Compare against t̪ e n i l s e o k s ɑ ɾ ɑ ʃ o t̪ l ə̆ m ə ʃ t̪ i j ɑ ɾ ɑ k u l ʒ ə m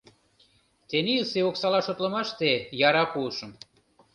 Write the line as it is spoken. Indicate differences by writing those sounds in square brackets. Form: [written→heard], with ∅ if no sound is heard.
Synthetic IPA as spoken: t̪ e n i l s e o k s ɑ [ɾ→l] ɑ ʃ o t̪ l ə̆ m [ə→ɑ] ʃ t̪ [i→e] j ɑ ɾ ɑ k u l [ʒ→ʃ] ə m